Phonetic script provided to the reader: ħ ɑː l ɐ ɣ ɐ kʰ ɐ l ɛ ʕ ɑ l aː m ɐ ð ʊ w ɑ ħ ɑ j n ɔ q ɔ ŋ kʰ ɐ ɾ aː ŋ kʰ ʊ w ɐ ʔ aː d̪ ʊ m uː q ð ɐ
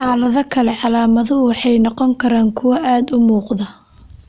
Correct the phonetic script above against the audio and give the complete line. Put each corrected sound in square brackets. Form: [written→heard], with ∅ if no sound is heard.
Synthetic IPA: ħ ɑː l ɐ [ɣ→ð] ɐ kʰ ɐ l ɛ ʕ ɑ l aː m ɐ ð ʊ w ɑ ħ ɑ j n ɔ q ɔ ŋ kʰ ɐ ɾ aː ŋ kʰ ʊ w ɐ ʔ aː d̪ ʊ m uː q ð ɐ